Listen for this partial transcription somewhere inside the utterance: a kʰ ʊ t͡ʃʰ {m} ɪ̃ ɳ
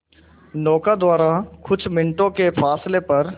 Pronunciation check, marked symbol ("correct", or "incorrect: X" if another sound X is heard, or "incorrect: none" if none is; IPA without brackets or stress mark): correct